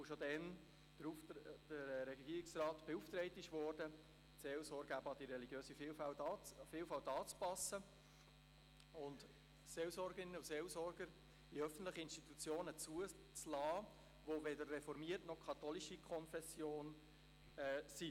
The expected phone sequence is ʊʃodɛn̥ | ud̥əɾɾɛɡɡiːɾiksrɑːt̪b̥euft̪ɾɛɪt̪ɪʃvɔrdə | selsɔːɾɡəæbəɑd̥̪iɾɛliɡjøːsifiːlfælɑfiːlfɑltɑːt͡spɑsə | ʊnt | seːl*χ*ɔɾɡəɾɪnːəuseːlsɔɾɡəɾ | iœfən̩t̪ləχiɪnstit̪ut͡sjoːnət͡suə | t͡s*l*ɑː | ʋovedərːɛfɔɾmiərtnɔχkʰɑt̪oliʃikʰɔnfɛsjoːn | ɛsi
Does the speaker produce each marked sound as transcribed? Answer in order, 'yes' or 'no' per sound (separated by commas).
no, yes